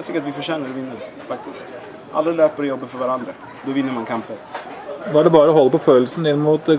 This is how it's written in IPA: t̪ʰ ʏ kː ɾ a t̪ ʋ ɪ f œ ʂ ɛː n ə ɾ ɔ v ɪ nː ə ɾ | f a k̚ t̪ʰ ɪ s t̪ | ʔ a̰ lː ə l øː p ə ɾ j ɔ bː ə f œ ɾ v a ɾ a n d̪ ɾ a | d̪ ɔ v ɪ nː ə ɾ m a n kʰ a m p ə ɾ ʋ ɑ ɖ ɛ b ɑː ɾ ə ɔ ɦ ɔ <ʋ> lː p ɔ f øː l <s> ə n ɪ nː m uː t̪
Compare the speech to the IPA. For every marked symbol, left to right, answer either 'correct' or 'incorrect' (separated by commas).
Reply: incorrect, correct